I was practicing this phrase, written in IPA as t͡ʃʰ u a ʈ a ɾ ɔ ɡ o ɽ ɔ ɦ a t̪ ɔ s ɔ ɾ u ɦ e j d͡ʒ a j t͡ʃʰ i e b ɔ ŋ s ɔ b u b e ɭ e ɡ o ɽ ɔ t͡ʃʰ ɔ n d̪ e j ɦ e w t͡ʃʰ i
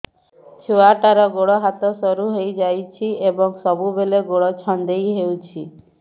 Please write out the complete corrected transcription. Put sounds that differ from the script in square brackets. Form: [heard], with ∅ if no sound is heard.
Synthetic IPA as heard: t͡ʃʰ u a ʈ a ɾ ɔ ɡ o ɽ ɔ ɦ a t̪ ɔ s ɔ ɾ u ɦ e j d͡ʒ a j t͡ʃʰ i e b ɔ ŋ s ɔ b u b e [l] e ɡ o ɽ ɔ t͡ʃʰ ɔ n d̪ e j ɦ e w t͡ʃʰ i